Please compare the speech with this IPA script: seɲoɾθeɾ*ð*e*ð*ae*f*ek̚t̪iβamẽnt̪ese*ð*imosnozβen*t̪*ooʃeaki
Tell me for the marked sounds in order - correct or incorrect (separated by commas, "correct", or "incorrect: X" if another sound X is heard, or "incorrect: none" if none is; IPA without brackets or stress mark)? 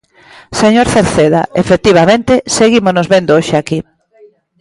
incorrect: θ, correct, correct, incorrect: ɣ, incorrect: d̪